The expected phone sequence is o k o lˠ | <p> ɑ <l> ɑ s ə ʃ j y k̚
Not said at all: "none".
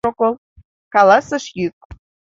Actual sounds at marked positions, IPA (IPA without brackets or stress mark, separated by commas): k, l